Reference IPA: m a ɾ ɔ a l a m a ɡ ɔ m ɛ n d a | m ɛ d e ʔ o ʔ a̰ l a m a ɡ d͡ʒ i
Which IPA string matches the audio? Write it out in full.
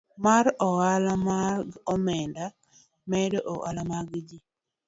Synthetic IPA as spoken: m a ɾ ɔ a l a m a ɡ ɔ m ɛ n d a | m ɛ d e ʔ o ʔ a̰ l a m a ɡ d͡ʒ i

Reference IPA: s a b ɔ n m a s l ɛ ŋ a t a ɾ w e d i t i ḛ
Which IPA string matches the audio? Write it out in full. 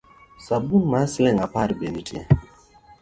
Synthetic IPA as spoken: s a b u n m a s l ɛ ŋ a p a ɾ b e n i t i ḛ

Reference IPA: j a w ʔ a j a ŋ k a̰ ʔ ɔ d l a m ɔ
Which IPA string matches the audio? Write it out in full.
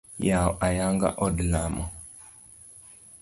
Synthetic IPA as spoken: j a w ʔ a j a ŋ ɡ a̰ ʔ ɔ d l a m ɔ

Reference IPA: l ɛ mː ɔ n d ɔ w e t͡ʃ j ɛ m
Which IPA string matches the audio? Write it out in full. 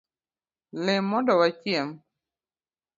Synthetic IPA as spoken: l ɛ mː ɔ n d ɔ w a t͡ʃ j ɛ m

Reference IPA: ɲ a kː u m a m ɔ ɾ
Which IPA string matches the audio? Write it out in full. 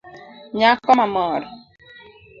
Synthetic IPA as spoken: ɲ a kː ɔ m a m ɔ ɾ

